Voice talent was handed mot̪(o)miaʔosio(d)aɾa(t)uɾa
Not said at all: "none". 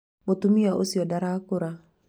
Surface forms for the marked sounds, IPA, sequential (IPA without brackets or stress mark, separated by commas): u, d, k